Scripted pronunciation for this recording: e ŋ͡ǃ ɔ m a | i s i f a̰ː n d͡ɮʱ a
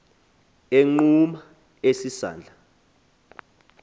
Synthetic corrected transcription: e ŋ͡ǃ u m a | e s i s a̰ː n d͡ɮʱ a